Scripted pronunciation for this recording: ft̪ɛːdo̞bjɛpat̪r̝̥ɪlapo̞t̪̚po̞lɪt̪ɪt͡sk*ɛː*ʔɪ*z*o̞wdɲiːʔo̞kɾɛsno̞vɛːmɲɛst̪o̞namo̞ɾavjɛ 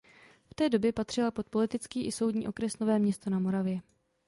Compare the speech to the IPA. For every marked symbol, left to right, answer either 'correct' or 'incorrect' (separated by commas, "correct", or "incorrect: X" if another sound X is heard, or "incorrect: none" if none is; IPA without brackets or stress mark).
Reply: incorrect: iː, incorrect: s